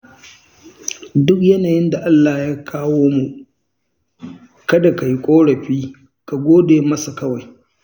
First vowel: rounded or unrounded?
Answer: rounded